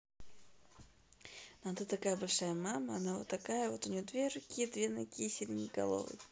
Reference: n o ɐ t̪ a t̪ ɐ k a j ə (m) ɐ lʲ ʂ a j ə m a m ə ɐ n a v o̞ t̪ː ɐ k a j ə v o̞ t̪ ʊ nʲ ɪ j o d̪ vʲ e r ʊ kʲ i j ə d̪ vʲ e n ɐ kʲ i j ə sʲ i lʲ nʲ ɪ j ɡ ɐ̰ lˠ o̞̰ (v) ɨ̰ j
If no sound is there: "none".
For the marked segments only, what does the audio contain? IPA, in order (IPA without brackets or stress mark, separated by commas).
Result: b, v